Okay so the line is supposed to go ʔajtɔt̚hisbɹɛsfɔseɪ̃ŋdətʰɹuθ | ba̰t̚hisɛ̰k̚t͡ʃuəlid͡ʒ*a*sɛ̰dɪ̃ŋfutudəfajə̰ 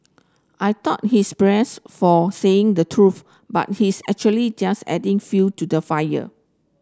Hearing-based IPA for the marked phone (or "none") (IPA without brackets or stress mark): a